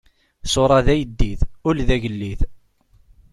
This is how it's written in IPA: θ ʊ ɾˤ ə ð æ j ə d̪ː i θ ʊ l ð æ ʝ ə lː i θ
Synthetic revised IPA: s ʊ ɾˤ ɑ ð æ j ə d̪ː i θ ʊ l ð æ ʝ ə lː i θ